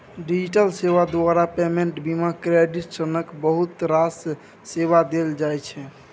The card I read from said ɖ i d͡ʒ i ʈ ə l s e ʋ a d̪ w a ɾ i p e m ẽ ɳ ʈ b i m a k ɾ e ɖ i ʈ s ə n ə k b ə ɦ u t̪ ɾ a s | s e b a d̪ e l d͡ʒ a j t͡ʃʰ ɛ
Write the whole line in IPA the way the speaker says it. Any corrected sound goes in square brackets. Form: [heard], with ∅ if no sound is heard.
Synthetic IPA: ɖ i d͡ʒ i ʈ ə l s e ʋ a d̪ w a ɾ [a] p e m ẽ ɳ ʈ b i m a k ɾ e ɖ i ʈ s ə n ə k b ə ɦ u t̪ ɾ a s | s e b a d̪ e l d͡ʒ a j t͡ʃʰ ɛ